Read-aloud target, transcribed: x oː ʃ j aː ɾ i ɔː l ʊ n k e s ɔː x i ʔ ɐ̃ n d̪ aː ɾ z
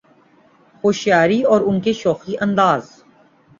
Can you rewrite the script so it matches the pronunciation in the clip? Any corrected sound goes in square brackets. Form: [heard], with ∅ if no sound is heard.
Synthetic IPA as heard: x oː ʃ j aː ɾ i ɔː [ɾ] ʊ n k e [ʃ] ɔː x i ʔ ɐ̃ n d̪ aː [∅] z

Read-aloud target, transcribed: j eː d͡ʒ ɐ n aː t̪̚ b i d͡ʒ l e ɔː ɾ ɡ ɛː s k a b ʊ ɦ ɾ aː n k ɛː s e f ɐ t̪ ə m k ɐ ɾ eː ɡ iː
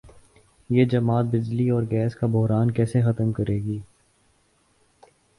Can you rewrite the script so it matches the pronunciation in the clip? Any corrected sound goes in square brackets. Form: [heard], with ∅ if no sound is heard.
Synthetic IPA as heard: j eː d͡ʒ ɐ [m] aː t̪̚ b [ɪ] d͡ʒ l [i] ɔː ɾ ɡ ɛː s k a b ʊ ɦ ɾ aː n k ɛː s e [x] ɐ t̪ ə m k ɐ ɾ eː ɡ iː

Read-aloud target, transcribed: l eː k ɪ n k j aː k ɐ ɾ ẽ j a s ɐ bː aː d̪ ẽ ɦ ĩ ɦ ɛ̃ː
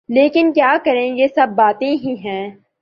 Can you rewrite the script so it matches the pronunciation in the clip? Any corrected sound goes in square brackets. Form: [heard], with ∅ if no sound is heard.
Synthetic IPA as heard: l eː k ɪ n k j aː k ɐ ɾ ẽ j [e] s ɐ bː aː [t̪] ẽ ɦ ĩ ɦ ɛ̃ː

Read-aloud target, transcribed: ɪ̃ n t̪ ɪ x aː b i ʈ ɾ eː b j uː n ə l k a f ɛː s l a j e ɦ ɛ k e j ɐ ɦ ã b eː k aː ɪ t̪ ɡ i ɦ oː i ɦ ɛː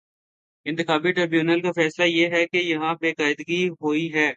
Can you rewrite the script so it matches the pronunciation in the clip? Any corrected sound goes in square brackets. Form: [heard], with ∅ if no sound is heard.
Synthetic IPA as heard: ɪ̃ n t̪ ɪ x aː b i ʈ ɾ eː b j uː n ə l k a f ɛː s l a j e ɦ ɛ k e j ɐ ɦ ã b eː k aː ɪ [d̪] ɡ i ɦ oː i ɦ ɛː

